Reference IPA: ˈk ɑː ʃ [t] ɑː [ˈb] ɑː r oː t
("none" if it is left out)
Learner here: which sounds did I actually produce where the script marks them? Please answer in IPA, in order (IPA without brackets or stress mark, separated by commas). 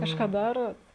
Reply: k, d